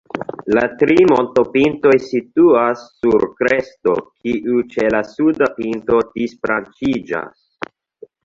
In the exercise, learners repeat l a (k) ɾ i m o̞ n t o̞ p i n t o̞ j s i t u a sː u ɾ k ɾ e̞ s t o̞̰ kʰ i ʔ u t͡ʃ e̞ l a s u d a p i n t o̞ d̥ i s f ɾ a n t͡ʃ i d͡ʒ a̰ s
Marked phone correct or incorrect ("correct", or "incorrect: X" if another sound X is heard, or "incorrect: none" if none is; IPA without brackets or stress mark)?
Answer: incorrect: t